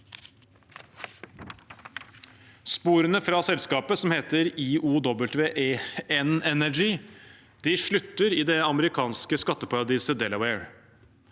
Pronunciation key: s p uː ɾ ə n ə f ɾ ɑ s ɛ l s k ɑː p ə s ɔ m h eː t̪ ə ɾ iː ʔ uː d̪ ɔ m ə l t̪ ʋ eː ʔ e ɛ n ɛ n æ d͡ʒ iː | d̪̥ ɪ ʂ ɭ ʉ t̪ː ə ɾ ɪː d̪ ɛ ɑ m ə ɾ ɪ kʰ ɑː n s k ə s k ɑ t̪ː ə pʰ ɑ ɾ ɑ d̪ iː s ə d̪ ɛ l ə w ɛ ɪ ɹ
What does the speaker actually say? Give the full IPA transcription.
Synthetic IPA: s p uː ɾ ə n ə f ɾ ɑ s ɛ l s k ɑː p ə s ɔ m h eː t̪ ə ɾ iː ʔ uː d̪ ɔ b ə l t̪ ʋ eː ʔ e ɛ n ɛ n æ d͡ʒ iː | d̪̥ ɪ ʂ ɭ ʉ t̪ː ə ɾ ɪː d̪ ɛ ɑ m ə ɾ ɪ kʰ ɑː n s k ə s k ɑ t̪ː ə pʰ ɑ ɾ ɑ d̪ iː s ə d̪ ɛ l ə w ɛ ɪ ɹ